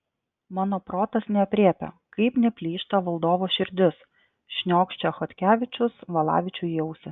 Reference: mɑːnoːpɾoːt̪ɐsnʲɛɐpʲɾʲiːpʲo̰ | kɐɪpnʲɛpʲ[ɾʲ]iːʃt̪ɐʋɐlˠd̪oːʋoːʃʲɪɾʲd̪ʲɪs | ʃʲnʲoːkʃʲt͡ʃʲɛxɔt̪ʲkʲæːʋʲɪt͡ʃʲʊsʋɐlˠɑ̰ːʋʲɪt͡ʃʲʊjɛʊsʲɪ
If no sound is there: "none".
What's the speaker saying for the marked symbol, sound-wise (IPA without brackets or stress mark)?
lʲ